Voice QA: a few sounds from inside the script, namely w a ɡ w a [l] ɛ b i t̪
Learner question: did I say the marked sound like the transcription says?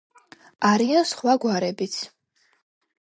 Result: no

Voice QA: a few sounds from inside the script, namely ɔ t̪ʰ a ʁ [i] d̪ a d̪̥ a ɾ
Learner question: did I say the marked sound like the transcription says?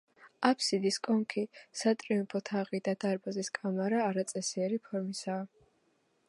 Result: yes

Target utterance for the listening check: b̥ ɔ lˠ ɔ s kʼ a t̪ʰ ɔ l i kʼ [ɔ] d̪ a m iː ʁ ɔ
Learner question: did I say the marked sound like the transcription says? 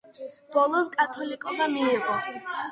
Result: yes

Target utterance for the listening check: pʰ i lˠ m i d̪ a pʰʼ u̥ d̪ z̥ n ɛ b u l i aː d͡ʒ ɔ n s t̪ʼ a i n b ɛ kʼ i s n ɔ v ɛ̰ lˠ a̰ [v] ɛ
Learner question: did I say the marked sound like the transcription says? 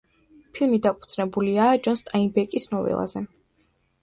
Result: no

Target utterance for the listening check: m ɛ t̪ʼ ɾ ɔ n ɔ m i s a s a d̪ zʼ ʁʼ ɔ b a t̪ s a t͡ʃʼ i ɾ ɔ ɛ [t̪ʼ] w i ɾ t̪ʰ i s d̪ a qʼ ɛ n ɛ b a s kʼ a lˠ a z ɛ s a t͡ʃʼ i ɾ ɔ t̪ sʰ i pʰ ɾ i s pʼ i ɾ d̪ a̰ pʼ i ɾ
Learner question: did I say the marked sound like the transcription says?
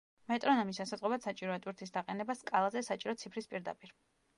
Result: yes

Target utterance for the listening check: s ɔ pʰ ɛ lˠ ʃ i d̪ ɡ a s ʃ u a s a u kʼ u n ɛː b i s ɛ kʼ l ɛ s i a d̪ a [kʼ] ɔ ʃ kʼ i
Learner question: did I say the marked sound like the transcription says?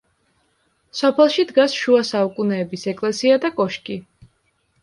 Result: yes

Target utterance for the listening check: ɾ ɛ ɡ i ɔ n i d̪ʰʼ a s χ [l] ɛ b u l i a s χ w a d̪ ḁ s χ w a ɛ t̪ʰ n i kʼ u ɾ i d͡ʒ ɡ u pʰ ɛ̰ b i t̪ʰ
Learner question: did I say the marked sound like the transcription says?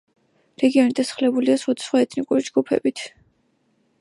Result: yes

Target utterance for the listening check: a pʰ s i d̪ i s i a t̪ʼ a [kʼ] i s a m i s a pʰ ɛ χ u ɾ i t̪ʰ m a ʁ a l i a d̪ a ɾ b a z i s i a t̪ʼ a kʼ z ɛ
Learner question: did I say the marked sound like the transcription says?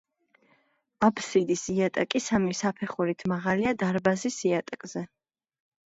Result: yes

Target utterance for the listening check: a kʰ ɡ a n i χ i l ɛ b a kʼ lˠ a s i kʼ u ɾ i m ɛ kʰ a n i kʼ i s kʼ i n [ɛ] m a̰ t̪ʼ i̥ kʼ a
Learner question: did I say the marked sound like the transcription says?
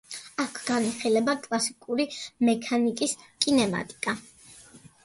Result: yes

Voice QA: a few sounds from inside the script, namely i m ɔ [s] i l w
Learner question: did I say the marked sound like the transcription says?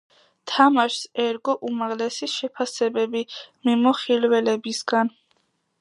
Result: no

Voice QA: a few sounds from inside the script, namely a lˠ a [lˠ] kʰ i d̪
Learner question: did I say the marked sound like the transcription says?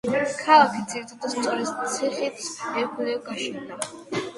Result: no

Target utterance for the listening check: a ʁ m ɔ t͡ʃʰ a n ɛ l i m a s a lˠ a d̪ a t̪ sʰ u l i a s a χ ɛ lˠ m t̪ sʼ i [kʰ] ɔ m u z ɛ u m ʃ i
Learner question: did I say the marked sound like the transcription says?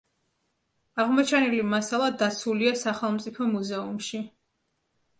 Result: no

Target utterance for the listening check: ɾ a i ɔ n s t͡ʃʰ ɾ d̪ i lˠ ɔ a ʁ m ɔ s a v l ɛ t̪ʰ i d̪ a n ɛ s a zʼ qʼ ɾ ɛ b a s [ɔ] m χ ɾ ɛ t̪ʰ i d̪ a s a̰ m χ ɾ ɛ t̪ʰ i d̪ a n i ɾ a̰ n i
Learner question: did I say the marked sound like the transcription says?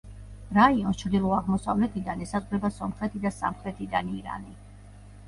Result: yes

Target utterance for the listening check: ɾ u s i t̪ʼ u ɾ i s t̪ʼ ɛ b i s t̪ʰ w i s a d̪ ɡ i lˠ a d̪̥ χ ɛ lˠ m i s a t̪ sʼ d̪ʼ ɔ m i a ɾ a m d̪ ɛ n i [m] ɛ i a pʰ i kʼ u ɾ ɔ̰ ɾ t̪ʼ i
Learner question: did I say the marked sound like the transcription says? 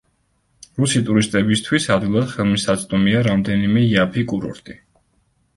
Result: yes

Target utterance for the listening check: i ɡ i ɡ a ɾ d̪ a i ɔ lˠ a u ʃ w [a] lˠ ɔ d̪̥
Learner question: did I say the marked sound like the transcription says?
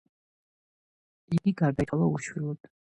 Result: no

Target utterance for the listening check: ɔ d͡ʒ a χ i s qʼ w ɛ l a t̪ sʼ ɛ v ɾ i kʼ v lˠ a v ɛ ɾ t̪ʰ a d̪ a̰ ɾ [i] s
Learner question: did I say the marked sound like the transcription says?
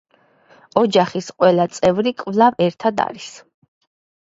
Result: yes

